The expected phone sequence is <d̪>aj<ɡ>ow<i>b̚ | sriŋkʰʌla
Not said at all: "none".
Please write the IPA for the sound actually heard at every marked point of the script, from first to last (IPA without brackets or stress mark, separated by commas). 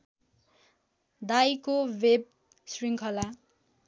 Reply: d̪, k, e